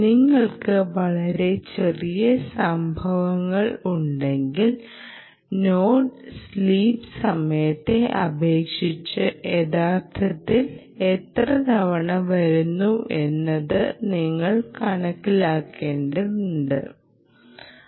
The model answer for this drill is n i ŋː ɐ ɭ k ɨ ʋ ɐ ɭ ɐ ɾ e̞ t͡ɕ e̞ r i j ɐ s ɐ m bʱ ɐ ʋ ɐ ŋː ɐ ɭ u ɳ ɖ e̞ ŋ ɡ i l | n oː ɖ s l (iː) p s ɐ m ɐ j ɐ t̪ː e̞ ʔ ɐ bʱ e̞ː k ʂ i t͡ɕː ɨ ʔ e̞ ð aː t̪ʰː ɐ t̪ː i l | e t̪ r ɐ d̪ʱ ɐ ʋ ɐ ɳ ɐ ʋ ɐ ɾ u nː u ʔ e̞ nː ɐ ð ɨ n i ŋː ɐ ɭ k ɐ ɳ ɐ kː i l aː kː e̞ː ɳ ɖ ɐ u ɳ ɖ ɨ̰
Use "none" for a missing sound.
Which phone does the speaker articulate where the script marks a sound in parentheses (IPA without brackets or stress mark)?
iː